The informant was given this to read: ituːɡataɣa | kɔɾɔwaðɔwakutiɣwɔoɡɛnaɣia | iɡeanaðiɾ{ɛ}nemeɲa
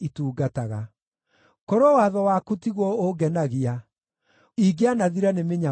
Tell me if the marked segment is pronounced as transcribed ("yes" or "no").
no